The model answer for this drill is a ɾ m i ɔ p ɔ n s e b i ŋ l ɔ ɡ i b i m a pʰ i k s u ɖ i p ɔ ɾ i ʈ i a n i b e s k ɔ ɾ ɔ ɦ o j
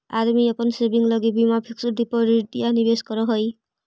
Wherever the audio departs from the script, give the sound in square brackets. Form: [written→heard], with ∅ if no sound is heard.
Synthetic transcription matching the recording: a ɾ m i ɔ p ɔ n s e b i ŋ l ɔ ɡ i b i m a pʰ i k s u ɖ i p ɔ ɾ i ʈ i a n i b e s k ɔ ɾ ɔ ɦ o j